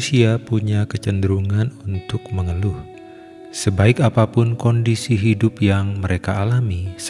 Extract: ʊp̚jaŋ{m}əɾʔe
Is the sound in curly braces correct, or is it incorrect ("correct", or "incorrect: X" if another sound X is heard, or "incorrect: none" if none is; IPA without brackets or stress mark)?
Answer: correct